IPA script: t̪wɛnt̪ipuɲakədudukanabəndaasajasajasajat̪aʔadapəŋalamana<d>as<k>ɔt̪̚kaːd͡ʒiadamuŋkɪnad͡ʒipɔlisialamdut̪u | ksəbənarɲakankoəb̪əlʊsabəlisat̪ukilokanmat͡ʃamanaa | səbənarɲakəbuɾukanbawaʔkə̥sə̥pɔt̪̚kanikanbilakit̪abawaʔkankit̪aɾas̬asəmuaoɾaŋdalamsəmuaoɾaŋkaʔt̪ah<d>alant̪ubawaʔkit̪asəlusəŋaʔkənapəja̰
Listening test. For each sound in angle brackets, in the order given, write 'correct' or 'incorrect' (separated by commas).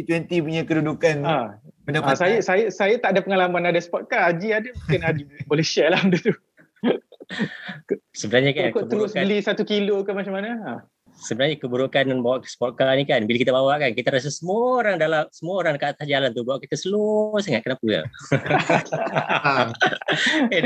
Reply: correct, incorrect, incorrect